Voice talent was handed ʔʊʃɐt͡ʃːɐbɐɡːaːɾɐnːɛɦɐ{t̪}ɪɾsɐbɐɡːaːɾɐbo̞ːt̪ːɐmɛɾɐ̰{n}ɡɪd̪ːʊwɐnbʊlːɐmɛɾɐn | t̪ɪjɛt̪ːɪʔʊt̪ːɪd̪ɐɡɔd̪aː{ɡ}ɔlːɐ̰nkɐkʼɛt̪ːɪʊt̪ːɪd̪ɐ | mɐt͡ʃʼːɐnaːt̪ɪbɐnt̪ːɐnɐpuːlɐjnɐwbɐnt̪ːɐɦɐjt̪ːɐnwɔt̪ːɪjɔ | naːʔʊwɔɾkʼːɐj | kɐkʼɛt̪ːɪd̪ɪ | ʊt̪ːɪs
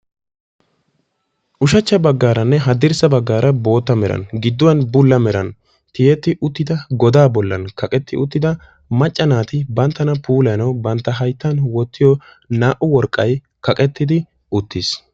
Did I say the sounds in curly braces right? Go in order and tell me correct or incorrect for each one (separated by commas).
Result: incorrect, correct, incorrect